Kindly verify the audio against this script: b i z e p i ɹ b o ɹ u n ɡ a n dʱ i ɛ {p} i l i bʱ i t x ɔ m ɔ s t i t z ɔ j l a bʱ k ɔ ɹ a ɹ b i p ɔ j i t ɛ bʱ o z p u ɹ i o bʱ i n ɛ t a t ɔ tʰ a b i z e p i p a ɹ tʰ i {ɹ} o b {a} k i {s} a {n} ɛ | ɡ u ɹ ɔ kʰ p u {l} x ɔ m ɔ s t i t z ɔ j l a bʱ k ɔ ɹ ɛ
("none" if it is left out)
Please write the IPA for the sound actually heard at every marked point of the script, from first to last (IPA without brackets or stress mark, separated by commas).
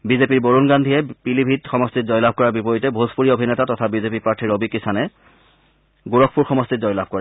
p, ɹ, i, s, n, ɹ